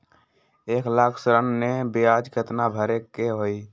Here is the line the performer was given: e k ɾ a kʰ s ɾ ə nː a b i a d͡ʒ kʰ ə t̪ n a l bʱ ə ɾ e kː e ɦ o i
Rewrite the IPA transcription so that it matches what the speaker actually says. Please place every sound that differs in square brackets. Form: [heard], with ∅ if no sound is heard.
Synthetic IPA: e k [l] a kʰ s ɾ ə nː [e] b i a d͡ʒ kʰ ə t̪ n a [∅] bʱ ə ɾ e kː e ɦ o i